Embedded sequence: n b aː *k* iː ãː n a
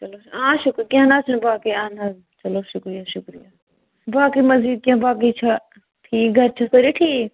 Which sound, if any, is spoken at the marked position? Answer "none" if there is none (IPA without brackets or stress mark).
k